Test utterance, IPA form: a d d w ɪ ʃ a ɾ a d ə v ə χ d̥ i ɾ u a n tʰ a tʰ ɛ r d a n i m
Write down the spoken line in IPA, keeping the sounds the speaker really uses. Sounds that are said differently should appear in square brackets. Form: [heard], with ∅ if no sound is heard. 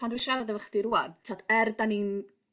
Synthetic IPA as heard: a [n] d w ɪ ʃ a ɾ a d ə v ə χ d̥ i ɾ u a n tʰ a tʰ ɛ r d a n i [n]